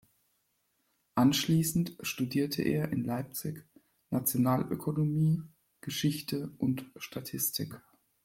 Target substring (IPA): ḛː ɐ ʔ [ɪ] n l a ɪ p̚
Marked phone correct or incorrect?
correct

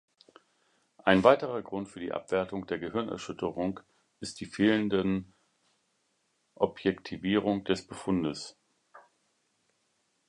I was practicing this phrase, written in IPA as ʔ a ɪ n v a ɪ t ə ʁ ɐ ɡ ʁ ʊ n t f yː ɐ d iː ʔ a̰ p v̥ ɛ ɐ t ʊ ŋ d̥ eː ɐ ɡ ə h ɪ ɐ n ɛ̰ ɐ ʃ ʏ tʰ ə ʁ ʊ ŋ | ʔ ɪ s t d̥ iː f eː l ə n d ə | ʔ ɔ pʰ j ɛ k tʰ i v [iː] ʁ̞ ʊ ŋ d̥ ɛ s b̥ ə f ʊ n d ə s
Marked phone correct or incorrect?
correct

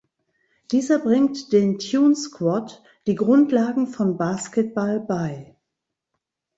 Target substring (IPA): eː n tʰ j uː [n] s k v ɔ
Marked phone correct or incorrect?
correct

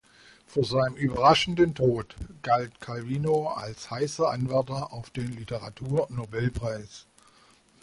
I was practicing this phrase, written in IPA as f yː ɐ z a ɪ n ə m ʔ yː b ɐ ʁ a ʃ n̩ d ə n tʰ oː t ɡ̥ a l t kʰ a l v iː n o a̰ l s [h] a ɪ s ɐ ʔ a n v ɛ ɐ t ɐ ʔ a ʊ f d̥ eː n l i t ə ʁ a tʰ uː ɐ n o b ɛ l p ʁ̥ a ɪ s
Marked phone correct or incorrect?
correct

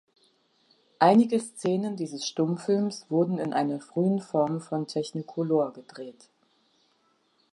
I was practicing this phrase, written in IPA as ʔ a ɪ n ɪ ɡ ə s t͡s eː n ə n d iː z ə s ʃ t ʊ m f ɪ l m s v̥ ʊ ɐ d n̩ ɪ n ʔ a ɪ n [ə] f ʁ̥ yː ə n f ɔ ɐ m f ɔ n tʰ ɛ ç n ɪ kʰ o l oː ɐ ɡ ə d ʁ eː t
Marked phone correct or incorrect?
incorrect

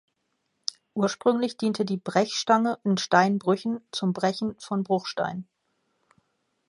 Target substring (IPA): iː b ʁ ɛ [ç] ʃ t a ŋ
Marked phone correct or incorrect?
correct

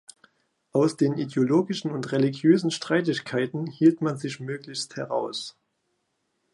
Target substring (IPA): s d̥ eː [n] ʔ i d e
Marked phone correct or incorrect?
correct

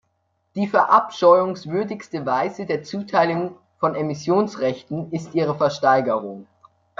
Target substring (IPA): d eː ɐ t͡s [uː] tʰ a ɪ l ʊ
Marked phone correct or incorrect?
correct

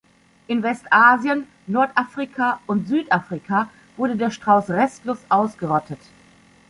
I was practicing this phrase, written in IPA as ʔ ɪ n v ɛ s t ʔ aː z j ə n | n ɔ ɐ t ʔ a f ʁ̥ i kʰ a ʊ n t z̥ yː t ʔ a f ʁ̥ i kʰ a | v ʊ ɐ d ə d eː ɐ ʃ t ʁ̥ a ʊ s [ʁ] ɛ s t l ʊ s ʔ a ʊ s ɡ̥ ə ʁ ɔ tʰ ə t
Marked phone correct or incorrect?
correct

